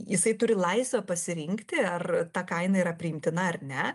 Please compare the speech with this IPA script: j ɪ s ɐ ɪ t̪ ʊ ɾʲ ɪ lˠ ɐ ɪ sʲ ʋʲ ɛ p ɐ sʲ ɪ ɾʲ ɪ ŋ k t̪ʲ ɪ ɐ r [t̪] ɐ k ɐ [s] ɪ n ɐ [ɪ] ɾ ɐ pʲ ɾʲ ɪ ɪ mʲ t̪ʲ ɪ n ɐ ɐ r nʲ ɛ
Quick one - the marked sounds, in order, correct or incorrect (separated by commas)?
correct, incorrect, incorrect